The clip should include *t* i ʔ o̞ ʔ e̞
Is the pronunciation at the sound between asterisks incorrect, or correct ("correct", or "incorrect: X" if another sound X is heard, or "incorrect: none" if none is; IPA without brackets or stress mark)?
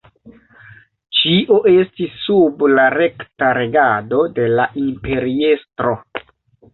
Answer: incorrect: t͡ʃ